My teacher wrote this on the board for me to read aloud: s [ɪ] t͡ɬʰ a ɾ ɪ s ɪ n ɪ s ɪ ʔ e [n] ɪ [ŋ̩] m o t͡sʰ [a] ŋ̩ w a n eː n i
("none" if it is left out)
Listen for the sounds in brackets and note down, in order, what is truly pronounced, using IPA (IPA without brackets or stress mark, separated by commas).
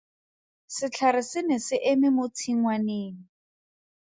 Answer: ɪ, m, none, i